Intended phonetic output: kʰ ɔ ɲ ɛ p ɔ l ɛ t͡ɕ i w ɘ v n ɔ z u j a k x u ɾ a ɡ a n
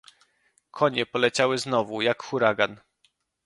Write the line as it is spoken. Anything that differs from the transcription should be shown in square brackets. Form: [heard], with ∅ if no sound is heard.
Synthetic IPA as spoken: kʰ ɔ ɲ ɛ p ɔ l ɛ t͡ɕ [a] w ɘ [z] n ɔ [v] u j a k x u ɾ a ɡ a n